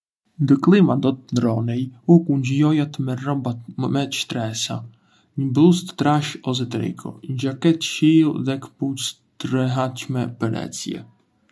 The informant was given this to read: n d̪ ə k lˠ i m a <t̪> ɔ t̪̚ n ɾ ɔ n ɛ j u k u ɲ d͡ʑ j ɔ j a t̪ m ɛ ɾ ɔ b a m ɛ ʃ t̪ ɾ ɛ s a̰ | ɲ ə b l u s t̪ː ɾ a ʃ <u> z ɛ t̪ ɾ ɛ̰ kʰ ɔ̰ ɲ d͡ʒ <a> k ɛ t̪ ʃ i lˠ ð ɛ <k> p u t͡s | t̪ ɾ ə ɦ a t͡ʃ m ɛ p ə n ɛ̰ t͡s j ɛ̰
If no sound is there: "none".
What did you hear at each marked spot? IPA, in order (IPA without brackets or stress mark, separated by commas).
d̪, ɔ, a, k